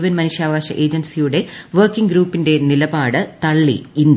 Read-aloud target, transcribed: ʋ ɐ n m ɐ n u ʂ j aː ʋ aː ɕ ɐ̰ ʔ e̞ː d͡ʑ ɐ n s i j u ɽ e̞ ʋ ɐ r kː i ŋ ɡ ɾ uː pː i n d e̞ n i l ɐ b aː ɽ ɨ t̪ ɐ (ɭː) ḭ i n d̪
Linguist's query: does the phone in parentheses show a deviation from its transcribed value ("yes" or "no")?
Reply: no